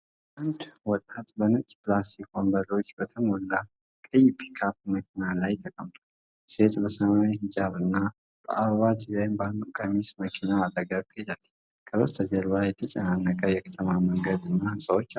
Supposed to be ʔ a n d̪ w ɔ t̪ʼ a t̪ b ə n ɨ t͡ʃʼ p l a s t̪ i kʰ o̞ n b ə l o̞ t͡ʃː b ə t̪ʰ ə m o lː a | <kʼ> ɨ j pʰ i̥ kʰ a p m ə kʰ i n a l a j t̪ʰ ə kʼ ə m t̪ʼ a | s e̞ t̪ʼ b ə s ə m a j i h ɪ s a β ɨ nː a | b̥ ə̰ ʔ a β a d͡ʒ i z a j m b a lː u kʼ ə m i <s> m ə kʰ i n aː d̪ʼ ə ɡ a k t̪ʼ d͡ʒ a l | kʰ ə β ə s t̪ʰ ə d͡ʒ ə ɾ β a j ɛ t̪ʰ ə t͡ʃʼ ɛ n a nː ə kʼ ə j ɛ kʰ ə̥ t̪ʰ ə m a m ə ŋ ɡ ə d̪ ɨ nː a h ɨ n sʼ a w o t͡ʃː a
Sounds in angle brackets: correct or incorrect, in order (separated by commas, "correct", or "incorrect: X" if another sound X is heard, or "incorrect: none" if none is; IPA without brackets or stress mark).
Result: correct, correct